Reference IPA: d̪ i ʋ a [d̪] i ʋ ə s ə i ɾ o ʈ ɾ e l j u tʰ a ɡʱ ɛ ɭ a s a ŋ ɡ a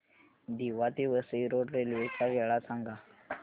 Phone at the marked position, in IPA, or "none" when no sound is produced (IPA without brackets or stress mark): t̪